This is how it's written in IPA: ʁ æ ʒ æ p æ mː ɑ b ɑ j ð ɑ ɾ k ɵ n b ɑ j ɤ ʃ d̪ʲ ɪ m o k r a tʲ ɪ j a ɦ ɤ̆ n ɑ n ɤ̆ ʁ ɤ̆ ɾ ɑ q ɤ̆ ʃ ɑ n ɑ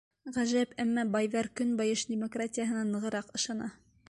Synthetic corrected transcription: ʁ æ ʒ æ p æ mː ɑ b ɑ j ð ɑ ɾ k ɵ n b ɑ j ɤ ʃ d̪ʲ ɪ m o k r a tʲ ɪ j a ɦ ɤ̆ n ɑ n ɤ̆ ʁ ɤ̆ ɾ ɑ q ɤ̆ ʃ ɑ n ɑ